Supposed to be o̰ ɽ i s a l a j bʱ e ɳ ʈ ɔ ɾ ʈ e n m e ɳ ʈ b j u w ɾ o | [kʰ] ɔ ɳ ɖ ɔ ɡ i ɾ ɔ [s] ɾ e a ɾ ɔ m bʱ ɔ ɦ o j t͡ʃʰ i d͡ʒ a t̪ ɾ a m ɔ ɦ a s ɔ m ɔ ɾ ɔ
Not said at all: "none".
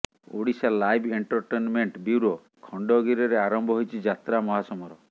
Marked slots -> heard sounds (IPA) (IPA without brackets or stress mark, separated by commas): kʰ, none